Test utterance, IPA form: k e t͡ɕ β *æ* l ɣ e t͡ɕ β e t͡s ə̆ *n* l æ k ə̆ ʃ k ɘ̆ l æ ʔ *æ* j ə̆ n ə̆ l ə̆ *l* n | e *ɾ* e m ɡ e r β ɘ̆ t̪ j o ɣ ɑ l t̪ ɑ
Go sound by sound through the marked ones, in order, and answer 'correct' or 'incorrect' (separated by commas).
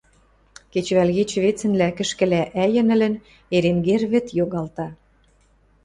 correct, correct, correct, incorrect, correct